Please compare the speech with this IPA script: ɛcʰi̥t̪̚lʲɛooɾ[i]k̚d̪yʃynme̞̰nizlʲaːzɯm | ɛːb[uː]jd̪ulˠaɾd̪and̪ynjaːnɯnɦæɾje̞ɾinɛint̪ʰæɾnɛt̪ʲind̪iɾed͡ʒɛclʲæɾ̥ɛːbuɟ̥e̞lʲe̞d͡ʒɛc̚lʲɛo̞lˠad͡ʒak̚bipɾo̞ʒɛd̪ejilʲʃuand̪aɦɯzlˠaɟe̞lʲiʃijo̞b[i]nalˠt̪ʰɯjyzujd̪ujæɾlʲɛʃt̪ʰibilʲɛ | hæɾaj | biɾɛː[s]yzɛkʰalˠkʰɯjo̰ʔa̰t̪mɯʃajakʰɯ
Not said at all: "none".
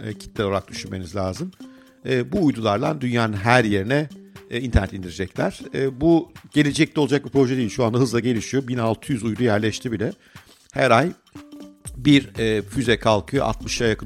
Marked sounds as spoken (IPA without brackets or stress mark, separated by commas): a, uː, i, f